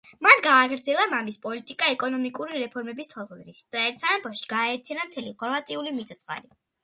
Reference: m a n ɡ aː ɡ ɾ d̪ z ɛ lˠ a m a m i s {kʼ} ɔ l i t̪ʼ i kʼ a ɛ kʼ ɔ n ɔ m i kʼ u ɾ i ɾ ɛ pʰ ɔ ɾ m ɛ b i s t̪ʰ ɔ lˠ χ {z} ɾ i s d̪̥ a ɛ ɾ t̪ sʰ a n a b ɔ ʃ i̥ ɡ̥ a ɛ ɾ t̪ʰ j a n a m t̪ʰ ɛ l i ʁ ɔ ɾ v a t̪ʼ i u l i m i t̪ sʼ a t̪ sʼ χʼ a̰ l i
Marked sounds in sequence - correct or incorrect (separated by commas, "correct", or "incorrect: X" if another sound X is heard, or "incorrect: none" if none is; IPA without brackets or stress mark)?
incorrect: pʼ, correct